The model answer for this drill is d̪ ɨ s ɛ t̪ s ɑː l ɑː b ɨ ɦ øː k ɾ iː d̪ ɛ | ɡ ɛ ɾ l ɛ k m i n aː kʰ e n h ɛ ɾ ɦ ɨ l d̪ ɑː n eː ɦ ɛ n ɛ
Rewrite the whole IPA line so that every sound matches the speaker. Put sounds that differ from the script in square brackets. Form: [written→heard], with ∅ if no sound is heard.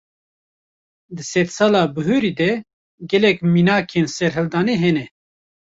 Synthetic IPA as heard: d̪ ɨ s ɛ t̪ s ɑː l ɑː b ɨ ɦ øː [k→∅] ɾ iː d̪ ɛ | ɡ ɛ [ɾ→∅] l ɛ k m i n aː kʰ e n [h→s] ɛ ɾ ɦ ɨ l d̪ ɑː n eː ɦ ɛ n ɛ